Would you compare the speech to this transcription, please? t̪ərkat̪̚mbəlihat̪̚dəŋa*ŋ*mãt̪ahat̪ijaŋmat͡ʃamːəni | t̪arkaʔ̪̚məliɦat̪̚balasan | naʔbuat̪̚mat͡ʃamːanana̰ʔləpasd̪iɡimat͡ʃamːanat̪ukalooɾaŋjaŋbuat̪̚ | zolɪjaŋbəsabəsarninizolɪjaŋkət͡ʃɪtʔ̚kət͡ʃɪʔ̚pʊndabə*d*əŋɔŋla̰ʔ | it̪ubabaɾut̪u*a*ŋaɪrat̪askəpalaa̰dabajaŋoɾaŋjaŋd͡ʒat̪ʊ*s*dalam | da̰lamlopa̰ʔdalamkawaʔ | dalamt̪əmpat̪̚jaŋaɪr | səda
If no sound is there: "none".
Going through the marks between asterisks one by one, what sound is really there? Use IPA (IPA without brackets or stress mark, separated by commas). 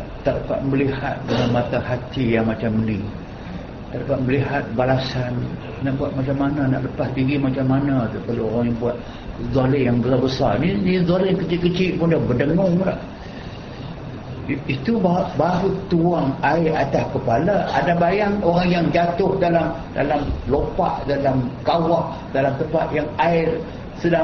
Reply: n, d, a, h